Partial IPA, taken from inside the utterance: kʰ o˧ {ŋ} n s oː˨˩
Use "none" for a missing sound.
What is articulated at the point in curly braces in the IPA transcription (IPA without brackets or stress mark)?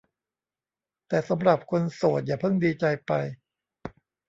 none